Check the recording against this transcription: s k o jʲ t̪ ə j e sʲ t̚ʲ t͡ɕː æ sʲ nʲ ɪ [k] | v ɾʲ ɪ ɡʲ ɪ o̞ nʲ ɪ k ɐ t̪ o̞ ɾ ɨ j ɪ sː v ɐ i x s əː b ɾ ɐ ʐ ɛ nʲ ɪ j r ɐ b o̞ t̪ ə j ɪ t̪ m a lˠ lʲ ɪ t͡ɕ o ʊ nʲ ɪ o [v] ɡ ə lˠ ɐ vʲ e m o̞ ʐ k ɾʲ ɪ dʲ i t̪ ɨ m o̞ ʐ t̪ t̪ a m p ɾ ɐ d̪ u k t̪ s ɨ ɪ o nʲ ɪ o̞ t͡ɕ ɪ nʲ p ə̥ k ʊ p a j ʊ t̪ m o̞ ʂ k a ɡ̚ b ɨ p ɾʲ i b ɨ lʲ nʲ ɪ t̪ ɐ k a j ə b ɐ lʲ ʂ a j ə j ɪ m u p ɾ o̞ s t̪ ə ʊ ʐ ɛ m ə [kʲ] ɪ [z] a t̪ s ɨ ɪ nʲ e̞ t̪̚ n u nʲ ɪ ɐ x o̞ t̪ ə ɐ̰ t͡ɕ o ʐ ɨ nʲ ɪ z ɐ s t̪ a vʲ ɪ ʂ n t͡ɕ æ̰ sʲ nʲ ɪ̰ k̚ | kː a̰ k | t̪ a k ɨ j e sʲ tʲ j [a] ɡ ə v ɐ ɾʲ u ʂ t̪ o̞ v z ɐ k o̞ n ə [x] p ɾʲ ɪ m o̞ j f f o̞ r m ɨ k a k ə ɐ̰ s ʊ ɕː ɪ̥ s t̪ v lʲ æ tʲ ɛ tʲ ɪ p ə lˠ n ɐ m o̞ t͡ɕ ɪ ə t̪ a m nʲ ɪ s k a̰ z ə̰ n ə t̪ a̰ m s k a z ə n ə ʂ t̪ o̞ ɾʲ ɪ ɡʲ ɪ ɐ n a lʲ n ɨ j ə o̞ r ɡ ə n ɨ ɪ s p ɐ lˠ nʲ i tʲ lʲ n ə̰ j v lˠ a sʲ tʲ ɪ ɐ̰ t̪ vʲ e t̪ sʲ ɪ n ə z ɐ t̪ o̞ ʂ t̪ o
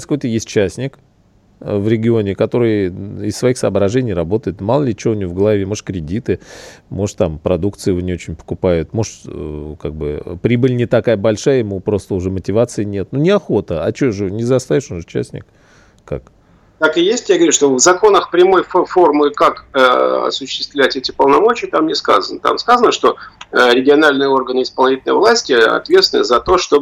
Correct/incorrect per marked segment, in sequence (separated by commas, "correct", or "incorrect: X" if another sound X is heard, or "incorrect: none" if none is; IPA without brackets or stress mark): correct, correct, incorrect: tʲ, incorrect: v, correct, correct